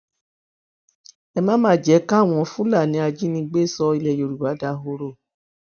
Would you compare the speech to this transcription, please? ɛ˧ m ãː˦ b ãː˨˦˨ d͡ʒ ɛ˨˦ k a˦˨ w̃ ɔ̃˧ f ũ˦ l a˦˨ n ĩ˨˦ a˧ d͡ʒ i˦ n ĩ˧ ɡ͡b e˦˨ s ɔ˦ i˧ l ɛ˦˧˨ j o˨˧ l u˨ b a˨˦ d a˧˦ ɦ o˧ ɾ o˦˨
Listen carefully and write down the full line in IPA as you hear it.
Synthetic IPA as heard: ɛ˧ m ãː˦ m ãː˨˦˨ d͡ʒ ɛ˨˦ k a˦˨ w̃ ɔ̃˧ f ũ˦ l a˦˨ n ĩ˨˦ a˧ d͡ʒ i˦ n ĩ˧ ɡ͡b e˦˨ s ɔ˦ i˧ l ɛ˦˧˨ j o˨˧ ɾ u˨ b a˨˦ d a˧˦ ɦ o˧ ɾ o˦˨